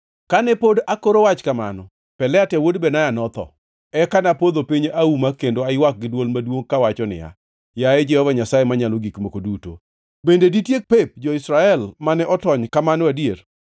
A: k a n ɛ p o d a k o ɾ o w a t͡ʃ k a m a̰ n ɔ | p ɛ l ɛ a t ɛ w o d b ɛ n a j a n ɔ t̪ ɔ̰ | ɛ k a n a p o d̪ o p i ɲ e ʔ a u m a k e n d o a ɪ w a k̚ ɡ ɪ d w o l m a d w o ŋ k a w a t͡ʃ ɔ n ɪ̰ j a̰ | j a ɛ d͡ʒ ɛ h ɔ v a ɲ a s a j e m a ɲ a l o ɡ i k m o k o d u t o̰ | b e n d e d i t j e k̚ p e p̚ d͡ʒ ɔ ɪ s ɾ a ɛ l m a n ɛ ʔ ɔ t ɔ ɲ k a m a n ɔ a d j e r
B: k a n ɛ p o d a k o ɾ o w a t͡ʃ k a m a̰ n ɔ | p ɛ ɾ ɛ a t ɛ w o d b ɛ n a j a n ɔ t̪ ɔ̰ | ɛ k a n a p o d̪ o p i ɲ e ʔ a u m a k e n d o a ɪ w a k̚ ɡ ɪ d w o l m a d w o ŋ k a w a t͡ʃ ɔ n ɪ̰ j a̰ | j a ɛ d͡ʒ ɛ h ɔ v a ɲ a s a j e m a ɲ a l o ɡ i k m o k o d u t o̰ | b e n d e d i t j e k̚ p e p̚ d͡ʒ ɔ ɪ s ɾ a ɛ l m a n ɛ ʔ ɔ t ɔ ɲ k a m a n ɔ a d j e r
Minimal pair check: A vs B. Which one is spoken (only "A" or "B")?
A